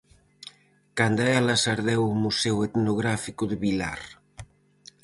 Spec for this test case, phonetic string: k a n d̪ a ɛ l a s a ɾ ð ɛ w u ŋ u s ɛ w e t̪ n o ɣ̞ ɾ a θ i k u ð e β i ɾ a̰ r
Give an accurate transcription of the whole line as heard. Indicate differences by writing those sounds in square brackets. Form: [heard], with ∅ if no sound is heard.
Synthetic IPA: k a n d̪ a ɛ l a s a ɾ ð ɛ w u [m] u s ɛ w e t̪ n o ɣ̞ ɾ a [f] i k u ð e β i [l] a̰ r

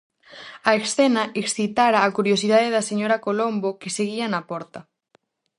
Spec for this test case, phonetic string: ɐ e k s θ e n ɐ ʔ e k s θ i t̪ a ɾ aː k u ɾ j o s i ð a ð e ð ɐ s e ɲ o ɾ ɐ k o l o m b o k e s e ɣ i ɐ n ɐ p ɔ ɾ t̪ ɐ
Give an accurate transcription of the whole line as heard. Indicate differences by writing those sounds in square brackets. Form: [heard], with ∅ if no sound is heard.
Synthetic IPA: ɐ e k s θ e n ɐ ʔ e k s θ i t̪ a ɾ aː k u ɾ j o s i ð a ð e ð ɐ s e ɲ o ɾ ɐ k o l o m b o k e s e ɣ i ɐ n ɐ p ɔ ɾ t̪ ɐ

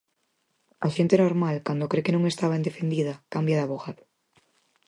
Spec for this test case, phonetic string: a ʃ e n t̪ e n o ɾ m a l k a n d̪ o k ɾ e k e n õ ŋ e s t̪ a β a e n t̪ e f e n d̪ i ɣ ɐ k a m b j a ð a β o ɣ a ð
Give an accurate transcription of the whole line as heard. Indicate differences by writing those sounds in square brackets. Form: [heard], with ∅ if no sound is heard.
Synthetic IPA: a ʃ e n t̪ e n o ɾ m a l k a n d̪ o k ɾ e k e n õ ŋ e s t̪ a β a e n [d̪] e f e n d̪ i [ð] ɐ k a m b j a ð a β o ɣ a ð

